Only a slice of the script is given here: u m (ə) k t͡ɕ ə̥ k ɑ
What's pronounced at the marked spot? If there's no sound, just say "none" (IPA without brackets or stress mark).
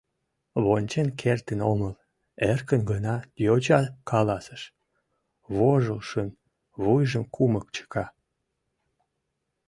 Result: ə